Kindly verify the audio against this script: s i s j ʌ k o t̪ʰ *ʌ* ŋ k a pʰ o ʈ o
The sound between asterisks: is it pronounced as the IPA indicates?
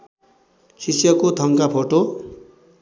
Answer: yes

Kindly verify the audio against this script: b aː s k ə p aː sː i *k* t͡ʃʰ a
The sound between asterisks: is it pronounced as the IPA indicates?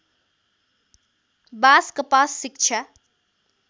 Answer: yes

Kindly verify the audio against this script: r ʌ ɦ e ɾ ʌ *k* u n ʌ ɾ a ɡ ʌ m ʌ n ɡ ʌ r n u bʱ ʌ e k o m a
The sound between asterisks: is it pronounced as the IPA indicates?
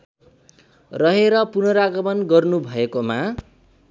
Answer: no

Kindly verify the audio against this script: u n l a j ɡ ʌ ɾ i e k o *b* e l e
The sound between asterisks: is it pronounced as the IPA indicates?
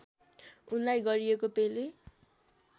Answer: no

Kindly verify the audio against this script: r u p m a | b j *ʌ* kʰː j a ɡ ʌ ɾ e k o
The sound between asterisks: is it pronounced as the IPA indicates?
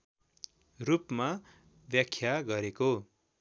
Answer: no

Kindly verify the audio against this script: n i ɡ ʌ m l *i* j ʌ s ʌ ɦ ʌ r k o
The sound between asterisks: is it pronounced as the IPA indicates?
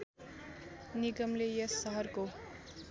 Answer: no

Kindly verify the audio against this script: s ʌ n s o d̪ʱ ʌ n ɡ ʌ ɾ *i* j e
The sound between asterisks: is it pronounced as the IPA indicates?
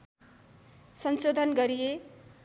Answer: yes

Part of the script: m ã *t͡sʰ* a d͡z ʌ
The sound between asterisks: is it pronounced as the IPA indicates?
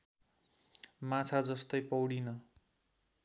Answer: yes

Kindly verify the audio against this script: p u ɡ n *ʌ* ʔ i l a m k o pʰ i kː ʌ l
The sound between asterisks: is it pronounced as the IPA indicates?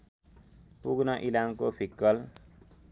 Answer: yes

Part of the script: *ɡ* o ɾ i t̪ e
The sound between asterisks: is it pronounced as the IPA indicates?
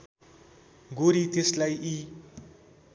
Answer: yes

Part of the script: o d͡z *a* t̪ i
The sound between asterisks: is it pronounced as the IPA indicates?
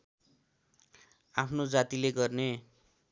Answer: yes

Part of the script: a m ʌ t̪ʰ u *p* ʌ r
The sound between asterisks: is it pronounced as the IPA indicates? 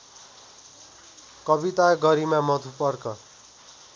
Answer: yes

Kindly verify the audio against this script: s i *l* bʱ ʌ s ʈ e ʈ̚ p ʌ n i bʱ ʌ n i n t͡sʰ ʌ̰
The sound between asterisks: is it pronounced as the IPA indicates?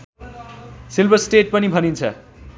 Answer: yes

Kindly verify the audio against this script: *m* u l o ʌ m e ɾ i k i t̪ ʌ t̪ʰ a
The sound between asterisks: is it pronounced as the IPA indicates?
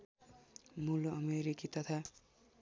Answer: yes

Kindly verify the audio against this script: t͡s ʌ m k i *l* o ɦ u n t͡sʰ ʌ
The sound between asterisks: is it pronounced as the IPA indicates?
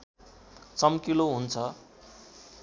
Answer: yes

